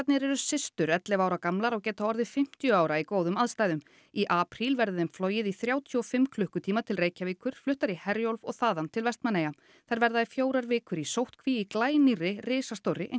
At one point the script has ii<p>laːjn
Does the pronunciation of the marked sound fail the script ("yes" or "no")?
yes